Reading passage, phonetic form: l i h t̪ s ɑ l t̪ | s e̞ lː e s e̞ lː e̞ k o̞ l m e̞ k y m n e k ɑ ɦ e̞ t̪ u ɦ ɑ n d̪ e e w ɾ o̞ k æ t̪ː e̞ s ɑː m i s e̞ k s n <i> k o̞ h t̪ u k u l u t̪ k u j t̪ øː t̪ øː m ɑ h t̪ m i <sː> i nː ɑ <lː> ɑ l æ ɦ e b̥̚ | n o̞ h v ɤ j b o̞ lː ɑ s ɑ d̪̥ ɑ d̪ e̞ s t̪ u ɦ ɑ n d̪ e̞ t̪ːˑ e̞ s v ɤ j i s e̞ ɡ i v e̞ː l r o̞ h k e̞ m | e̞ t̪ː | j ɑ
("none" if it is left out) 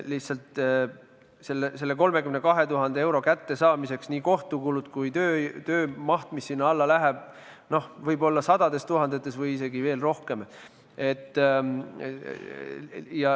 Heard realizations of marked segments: iː, sː, lː

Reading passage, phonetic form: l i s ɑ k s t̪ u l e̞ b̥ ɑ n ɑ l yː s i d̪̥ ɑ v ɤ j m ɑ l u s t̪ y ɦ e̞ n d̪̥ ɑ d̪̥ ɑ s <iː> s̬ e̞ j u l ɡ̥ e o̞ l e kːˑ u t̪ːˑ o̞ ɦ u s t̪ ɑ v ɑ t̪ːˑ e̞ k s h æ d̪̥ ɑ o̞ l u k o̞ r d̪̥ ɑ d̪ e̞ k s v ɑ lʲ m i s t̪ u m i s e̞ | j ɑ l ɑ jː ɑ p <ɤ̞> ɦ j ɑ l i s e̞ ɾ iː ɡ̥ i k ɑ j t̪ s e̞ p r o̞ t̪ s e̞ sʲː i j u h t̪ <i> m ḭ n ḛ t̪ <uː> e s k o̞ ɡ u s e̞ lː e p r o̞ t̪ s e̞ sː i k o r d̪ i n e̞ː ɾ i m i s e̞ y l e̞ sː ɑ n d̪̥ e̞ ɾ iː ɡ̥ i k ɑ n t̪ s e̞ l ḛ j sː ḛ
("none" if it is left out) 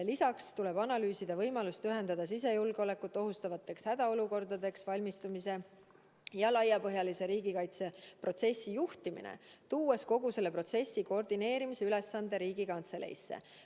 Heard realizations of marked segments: i, ɤ̞, i, uː

